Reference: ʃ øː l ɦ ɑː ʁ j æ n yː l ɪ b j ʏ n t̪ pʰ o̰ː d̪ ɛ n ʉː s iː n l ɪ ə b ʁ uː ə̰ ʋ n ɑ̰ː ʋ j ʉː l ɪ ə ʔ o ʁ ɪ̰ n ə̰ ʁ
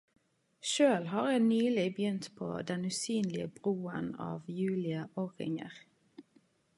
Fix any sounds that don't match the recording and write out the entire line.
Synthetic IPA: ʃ øː l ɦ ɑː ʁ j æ n yː l ɪ b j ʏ n t̪ pʰ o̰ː d̪ ɛ n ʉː s yː n l ɪ ə b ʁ uː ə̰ n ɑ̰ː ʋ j ʉː l ɪ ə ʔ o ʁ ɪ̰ ŋ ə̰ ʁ